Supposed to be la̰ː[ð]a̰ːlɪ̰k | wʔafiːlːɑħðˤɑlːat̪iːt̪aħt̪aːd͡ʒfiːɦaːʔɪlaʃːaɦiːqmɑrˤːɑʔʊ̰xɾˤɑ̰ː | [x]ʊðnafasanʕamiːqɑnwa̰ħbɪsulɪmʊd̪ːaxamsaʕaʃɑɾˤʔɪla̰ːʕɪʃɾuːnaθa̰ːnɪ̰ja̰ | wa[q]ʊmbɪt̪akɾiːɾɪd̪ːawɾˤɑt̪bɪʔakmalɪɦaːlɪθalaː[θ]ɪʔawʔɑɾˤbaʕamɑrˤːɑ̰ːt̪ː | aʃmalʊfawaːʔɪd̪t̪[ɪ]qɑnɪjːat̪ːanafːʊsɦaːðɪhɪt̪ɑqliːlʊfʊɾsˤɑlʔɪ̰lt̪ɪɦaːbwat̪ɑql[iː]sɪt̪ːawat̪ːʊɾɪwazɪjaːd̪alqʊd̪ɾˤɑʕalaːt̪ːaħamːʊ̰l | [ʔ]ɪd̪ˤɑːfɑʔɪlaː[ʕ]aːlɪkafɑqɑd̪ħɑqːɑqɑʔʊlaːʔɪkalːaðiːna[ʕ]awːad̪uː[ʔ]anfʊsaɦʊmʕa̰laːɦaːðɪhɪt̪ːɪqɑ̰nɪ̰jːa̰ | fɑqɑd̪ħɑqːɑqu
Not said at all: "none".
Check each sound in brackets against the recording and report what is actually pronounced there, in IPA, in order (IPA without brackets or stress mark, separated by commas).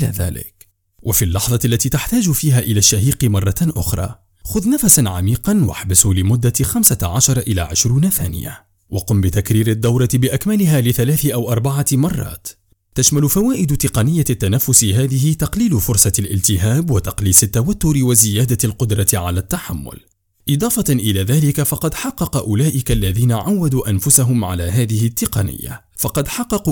ð, x, q, θ, ɪ, iː, ʔ, ð, ʕ, ʔ